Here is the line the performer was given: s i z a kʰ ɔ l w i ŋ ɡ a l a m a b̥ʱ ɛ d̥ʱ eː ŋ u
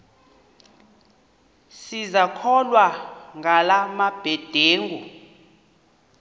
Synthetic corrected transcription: s i z a kʰ ɔ l w a ŋ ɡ a l a m a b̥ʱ ɛ d̥ʱ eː ŋ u